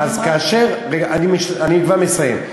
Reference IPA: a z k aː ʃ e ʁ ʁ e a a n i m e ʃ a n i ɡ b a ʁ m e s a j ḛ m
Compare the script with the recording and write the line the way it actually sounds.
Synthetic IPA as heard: a z k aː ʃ e ʁ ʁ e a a n i m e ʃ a n i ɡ v a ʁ m e s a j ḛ m

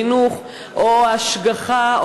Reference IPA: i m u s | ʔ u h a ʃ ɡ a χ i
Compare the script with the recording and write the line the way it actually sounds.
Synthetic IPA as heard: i n u χ | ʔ o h a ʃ ɡ a χ a

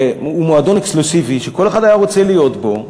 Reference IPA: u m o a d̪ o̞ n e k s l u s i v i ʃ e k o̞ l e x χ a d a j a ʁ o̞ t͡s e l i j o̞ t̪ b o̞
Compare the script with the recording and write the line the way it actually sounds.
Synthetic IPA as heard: u m o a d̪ o̞ n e k s l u s i v i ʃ e k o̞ l e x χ a d a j a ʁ o̞ t͡s e l i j o̞ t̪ b o̞

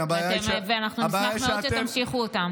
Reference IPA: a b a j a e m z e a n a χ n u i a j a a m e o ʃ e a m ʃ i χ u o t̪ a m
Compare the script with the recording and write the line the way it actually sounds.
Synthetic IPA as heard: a b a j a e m v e a n a χ n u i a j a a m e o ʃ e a m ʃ i χ u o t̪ a m

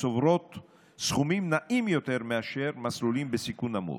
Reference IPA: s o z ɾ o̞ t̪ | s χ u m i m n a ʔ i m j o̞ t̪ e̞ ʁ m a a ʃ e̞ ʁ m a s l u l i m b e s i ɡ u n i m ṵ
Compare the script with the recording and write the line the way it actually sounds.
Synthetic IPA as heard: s o v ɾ o̞ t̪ | s χ u m i m n a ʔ i m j o̞ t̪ e̞ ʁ m e a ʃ e̞ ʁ m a s l u l i m b e s i k u n a m ṵ

